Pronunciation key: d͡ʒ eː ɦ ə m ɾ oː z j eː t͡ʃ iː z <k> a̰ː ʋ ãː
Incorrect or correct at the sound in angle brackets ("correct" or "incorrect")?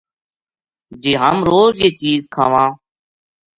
incorrect